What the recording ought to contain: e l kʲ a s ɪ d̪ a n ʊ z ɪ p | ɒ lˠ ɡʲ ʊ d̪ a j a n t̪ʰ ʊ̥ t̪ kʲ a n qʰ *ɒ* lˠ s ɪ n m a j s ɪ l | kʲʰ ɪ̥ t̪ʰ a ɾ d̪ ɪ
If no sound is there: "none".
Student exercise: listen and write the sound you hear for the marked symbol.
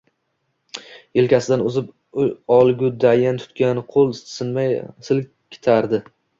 o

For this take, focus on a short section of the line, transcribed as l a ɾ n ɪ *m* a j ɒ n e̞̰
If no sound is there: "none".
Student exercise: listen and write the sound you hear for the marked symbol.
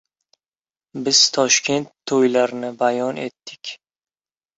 b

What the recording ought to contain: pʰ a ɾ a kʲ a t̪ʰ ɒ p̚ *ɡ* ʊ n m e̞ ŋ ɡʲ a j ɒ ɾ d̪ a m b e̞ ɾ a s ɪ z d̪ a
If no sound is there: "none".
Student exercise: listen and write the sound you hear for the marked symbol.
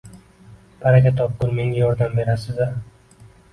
k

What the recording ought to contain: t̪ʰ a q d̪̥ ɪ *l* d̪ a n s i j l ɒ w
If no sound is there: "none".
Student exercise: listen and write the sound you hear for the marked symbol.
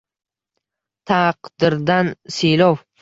ɾ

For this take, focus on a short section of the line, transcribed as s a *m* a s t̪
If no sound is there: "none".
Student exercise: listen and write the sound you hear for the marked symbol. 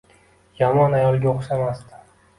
m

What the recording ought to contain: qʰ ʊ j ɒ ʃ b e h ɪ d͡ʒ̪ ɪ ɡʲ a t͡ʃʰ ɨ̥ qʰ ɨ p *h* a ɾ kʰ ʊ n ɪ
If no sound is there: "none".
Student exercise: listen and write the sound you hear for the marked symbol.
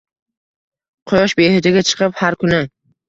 h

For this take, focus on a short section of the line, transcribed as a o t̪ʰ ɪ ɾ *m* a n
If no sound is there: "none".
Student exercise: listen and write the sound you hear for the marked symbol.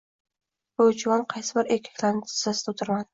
m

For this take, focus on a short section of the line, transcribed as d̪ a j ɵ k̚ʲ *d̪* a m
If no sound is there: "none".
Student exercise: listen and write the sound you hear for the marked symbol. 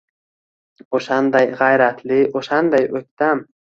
t̪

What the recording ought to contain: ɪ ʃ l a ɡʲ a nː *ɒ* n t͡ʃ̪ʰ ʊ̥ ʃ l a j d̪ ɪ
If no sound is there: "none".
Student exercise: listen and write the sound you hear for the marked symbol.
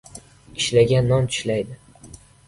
ɒ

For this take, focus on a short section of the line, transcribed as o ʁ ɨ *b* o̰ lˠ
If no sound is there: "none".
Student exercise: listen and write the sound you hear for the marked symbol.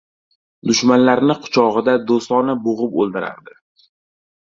p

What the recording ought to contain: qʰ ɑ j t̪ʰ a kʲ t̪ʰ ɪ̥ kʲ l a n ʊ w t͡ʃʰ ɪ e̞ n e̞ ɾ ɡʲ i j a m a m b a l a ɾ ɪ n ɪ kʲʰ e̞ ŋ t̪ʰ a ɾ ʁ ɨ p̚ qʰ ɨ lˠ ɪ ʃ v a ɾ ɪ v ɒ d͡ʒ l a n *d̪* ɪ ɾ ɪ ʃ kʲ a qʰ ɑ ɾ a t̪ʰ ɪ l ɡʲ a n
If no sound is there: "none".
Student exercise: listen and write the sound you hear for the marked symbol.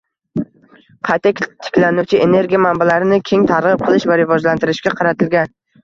t̪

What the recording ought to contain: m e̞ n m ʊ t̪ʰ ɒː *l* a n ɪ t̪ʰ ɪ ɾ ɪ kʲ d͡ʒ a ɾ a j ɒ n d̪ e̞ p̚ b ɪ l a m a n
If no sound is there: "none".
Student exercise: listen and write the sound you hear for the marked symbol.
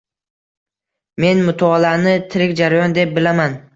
l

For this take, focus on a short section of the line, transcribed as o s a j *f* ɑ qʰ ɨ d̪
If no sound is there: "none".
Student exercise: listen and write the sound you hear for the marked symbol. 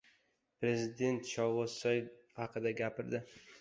h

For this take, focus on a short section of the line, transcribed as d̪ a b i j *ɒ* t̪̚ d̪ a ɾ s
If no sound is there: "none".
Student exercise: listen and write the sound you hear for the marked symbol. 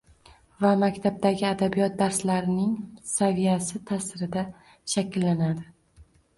ɒ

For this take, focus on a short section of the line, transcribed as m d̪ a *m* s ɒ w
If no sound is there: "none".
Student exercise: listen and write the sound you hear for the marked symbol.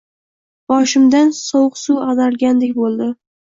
n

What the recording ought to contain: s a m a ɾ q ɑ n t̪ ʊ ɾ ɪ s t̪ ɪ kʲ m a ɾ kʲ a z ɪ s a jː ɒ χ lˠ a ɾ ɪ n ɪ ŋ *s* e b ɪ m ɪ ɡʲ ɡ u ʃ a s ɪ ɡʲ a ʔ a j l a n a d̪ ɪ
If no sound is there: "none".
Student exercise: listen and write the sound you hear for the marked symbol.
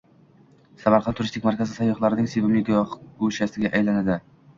s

